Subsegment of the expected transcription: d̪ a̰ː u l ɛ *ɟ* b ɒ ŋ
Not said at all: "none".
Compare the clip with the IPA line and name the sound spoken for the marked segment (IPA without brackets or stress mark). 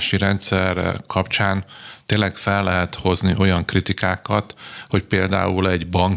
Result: ɟ